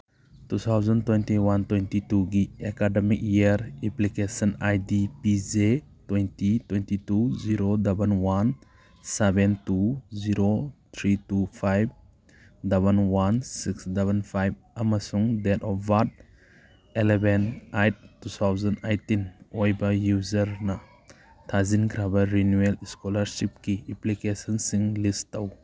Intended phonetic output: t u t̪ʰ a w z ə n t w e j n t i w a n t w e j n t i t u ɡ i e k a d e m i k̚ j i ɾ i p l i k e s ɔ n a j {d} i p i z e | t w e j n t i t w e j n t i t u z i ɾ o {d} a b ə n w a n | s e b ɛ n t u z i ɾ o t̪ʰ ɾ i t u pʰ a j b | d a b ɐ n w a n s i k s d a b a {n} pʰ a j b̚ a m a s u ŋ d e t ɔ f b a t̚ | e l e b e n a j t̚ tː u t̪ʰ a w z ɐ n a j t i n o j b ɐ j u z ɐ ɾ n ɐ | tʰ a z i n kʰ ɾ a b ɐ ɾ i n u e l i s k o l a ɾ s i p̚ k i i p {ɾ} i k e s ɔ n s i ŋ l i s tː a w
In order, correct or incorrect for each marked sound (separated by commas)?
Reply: correct, correct, correct, incorrect